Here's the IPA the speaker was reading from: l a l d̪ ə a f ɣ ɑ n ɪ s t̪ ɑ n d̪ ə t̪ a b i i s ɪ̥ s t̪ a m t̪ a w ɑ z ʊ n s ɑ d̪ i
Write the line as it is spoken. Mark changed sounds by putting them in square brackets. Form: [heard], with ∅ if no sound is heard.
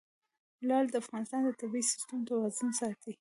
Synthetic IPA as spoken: l [ɑ] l d̪ ə a f ɣ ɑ n ɪ s t̪ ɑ n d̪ ə t̪ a b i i s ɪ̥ s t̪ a m t̪ a w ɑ z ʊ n s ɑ [t̪] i